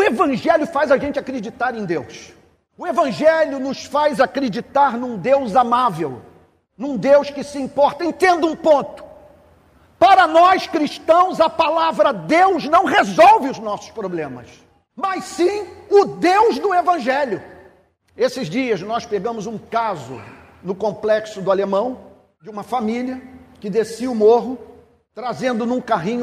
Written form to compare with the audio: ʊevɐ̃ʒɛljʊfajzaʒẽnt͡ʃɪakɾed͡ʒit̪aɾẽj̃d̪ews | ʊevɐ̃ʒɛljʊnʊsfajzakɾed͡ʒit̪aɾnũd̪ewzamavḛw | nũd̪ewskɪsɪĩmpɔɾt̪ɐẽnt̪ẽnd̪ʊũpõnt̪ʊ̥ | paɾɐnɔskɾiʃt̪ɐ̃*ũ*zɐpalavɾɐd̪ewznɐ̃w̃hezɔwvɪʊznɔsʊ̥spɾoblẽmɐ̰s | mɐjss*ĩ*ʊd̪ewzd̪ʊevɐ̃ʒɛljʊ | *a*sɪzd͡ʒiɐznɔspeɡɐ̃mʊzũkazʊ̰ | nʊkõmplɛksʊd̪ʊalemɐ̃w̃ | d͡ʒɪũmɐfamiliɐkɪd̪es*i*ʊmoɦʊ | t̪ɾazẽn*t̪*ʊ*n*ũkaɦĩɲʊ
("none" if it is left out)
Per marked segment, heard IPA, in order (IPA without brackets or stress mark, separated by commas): w̃, ĩ, e, i, d̪, n